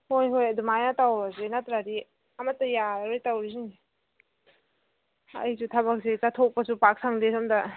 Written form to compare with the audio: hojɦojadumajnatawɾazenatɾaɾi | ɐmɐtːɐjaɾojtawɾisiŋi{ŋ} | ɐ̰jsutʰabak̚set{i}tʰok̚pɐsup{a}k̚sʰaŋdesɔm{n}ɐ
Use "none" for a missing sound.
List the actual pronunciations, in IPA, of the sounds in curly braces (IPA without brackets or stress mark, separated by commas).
none, a, a, d